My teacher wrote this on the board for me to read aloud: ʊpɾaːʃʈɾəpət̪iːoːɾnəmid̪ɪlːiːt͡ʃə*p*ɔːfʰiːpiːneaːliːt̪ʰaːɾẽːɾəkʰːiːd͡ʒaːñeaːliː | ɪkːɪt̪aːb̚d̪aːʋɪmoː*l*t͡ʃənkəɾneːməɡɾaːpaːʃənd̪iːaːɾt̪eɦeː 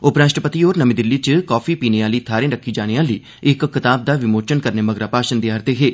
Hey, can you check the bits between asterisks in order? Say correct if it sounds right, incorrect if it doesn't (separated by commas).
incorrect, incorrect